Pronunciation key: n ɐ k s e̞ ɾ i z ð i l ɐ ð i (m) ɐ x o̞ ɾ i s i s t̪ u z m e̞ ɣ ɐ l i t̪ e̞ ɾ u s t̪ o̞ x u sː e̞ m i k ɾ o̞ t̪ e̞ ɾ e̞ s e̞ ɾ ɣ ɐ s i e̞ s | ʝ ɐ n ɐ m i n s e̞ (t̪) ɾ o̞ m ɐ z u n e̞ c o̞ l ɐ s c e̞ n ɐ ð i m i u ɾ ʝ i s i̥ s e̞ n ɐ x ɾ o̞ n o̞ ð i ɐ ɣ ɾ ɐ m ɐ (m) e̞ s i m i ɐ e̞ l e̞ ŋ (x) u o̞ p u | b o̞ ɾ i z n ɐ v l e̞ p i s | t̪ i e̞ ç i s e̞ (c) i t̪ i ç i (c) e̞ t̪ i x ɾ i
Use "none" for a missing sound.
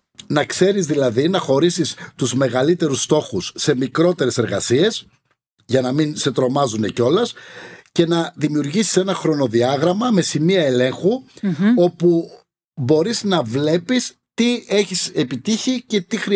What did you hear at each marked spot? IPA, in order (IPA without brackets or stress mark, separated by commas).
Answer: n, t̪, m, x, p, c